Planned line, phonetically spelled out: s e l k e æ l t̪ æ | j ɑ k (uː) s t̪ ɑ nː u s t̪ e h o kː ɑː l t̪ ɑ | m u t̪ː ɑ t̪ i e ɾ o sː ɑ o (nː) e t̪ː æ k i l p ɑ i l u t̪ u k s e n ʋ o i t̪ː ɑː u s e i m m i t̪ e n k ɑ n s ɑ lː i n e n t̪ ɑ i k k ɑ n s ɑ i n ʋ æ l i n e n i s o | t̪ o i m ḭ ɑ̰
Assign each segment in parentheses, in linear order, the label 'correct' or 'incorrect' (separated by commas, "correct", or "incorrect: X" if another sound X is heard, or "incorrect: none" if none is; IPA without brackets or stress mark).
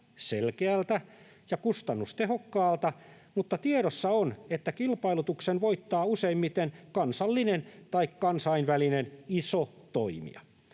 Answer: incorrect: u, incorrect: n